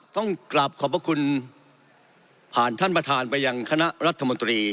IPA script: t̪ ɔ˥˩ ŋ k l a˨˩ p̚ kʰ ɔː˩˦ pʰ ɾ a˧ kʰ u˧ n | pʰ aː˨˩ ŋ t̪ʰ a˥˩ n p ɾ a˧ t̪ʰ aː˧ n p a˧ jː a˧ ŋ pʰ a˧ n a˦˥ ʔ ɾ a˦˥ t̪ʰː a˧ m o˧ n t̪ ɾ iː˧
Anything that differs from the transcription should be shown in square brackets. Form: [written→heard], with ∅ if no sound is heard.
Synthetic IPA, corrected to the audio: t̪ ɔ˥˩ ŋ k l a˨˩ p̚ kʰ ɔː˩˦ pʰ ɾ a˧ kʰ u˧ n | pʰ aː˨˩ [ŋ→n] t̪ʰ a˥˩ n p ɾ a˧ t̪ʰ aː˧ n p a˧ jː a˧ ŋ [pʰ→kʰ] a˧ n a˦˥ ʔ ɾ a˦˥ t̪ʰː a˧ m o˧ n t̪ ɾ iː˧